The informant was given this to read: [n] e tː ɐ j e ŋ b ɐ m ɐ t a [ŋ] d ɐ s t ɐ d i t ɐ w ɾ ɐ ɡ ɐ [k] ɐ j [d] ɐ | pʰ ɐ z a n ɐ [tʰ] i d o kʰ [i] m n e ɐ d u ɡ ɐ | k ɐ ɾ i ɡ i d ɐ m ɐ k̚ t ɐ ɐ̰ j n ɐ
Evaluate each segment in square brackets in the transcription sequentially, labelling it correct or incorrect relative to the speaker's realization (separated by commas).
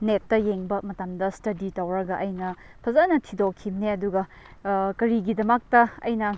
correct, incorrect, incorrect, incorrect, correct, correct